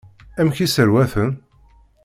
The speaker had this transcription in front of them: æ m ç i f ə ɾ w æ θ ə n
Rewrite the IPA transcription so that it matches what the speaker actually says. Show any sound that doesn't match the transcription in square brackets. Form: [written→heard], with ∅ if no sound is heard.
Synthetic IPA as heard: æ m ç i [f→s] ə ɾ w æ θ ə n